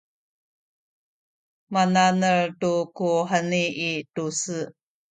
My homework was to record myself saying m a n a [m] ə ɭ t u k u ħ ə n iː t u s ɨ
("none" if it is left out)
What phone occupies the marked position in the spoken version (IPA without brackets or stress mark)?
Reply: n